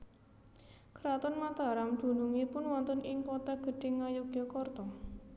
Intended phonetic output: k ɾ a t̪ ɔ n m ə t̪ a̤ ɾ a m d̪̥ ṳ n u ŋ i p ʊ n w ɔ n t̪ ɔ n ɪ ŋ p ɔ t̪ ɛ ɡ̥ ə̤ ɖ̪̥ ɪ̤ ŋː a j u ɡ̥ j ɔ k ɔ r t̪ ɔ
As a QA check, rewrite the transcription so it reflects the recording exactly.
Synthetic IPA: k ɾ a t̪ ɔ n m a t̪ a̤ ɾ a m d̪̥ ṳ n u ŋ i p ʊ n w ɔ n t̪ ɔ n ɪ ŋ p ɔ t̪ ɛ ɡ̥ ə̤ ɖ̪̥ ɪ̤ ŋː a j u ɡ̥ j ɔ k ɔ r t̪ ɔ